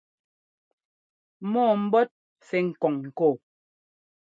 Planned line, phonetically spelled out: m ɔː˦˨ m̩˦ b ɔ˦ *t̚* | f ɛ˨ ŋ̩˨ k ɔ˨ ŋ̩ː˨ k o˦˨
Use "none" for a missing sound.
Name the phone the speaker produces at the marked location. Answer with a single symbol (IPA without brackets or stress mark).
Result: t̚